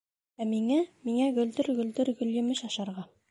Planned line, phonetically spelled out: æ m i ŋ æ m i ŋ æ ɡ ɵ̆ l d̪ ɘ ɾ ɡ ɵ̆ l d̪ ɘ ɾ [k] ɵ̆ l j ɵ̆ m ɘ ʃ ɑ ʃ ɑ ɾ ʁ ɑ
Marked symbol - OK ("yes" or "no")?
no